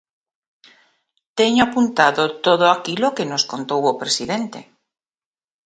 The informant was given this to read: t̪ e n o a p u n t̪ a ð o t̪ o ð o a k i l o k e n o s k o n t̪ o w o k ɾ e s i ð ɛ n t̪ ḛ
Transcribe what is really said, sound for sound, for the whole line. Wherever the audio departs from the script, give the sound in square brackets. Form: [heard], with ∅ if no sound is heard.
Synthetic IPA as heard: t̪ e [ɲ] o a p u n t̪ a ð o t̪ o ð o a k i l o k e n o s k o n t̪ o w o [p] ɾ e s i ð [e] n t̪ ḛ